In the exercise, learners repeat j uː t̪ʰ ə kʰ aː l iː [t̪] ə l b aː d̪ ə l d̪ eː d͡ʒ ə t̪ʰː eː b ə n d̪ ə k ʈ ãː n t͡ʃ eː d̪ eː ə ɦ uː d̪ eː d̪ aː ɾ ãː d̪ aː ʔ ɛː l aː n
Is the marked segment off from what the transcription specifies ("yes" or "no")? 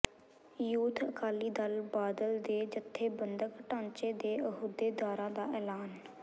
yes